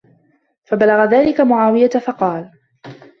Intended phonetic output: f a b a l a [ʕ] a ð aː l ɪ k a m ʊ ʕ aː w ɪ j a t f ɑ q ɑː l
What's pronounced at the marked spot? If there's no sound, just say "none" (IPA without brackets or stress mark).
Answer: ɣ